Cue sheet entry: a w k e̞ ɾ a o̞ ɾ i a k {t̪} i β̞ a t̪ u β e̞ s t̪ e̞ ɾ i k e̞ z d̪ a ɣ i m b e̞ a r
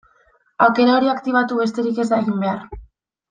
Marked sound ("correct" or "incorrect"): correct